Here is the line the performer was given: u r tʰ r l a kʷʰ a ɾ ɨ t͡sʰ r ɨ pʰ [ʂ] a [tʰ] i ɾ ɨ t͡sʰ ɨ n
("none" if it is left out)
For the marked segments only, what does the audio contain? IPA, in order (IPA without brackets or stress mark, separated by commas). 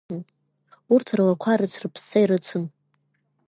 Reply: s, none